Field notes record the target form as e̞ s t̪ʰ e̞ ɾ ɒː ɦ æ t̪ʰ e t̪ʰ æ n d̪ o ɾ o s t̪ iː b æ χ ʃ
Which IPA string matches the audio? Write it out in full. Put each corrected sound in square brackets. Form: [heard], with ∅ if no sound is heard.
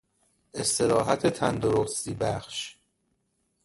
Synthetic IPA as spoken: e̞ s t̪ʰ e̞ ɾ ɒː ɦ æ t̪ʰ e t̪ʰ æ n d̪ o ɾ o s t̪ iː b æ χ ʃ